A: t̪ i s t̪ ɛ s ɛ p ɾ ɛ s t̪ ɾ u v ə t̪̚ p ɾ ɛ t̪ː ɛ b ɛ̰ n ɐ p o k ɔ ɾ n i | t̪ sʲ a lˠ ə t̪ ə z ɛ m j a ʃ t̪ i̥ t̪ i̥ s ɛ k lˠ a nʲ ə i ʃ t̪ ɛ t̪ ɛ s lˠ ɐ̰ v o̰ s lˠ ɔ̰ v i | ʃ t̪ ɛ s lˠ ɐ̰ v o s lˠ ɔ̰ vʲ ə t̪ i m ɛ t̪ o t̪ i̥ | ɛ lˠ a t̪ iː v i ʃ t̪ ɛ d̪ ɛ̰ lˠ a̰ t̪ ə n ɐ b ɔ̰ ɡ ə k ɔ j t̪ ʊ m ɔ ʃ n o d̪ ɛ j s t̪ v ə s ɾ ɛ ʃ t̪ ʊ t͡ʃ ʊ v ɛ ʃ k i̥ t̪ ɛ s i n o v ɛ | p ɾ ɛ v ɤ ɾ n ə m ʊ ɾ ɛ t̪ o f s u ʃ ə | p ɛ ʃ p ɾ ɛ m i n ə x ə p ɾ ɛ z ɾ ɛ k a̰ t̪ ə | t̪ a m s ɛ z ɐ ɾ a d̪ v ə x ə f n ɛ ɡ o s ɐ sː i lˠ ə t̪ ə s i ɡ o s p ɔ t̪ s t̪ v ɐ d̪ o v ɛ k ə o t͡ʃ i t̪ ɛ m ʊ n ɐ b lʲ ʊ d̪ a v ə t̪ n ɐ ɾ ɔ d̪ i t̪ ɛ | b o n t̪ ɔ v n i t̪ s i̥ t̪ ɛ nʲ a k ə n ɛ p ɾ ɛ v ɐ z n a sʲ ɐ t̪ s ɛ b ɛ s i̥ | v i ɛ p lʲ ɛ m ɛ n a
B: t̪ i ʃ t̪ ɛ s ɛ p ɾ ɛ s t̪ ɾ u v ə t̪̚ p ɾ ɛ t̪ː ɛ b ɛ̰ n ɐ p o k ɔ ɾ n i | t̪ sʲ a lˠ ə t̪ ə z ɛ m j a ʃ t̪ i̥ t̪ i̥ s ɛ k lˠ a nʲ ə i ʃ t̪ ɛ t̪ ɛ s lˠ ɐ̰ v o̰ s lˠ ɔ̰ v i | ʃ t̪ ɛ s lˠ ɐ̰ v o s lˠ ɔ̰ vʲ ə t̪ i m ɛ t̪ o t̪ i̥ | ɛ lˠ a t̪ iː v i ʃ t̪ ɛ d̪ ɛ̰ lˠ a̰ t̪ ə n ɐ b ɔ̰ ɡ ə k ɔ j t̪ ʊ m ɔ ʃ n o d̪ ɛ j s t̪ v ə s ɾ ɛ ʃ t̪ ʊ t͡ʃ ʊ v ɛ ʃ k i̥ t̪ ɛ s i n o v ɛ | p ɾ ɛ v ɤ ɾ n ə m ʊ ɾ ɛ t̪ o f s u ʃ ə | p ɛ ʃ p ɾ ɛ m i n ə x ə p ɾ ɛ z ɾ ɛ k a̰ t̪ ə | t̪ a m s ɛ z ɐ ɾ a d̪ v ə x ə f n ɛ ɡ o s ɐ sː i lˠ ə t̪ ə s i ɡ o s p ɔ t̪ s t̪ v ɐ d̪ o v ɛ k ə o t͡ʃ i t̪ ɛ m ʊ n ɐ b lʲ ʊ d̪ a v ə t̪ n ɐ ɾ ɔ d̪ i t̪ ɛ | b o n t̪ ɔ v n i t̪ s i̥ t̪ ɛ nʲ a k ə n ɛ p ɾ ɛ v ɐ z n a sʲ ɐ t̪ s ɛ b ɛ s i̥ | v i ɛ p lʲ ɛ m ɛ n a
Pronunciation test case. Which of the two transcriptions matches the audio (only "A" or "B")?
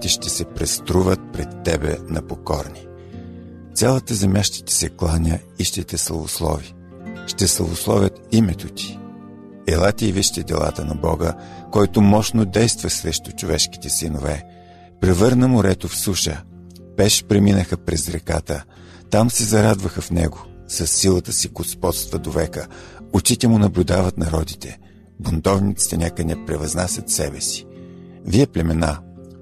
B